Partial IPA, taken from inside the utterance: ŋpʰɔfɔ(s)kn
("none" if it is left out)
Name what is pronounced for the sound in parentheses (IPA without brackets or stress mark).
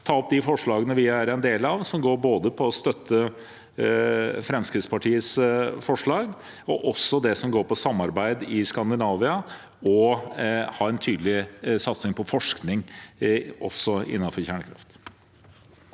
ʂ